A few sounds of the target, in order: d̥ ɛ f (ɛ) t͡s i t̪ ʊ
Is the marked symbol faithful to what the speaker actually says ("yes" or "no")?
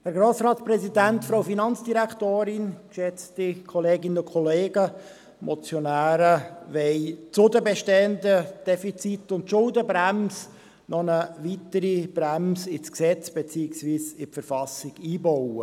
no